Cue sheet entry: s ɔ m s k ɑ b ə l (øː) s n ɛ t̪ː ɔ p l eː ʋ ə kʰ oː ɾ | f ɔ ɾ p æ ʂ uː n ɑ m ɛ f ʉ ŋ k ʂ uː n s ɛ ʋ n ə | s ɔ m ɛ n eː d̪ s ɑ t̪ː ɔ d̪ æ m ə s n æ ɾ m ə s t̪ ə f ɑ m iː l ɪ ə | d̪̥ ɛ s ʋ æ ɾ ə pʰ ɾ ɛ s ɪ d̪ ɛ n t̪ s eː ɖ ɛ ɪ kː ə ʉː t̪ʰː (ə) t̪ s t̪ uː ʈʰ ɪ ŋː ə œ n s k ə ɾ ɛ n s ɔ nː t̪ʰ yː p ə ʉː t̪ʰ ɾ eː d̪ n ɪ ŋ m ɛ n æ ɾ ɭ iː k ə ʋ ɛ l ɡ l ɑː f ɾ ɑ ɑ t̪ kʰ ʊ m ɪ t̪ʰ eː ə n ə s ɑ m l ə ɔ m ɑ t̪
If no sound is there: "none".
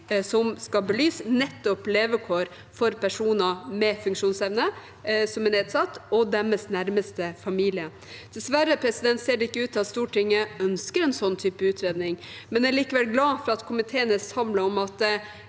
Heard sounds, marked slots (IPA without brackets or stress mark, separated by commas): yː, ɑ